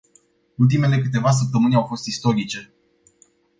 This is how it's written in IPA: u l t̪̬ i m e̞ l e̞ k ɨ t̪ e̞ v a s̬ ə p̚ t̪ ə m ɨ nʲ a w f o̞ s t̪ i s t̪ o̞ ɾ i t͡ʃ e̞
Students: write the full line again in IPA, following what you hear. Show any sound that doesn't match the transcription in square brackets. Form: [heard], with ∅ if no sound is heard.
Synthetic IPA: u l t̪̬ i m e̞ l e̞ k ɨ t̪ e̞ v a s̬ ə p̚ t̪ ə m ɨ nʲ a w f o̞ s t̪ i s t̪ o̞ ɾ i t͡ʃ e̞